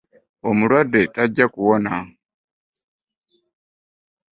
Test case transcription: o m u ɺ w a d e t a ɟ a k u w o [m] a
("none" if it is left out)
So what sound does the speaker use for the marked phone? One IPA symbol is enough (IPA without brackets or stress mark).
n